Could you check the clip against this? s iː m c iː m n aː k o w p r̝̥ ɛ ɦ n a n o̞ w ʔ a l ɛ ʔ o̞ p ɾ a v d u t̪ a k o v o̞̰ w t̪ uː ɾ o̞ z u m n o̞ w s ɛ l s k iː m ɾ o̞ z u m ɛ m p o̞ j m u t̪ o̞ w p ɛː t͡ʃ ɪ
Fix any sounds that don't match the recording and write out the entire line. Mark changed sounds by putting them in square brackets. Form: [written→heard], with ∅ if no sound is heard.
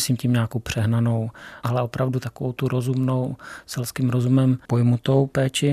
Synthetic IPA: s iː m c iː m [n→ɲ] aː k o w p r̝̥ ɛ ɦ n a n o̞ w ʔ a l ɛ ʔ o̞ p ɾ a v d u t̪ a k o v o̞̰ w t̪ [uː→u] ɾ o̞ z u m n o̞ w s ɛ l s k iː m ɾ o̞ z u m ɛ m p o̞ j m u t̪ o̞ w p ɛː t͡ʃ ɪ